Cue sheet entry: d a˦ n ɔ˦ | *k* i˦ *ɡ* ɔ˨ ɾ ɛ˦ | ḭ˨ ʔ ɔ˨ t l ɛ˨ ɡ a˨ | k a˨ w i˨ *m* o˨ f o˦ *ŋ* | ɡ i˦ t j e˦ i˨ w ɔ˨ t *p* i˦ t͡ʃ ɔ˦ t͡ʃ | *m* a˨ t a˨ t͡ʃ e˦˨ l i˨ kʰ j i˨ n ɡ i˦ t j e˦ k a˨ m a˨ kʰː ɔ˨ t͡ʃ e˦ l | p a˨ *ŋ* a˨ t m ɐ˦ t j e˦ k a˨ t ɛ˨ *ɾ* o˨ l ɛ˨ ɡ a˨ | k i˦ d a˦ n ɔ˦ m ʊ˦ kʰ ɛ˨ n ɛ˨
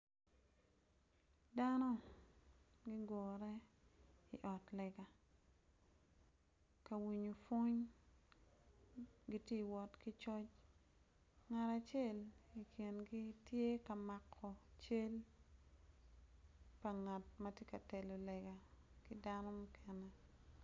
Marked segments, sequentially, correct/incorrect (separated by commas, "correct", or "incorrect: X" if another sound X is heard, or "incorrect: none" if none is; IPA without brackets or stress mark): incorrect: ɡ, correct, incorrect: ɲ, incorrect: ɲ, incorrect: k, incorrect: ŋ, correct, incorrect: l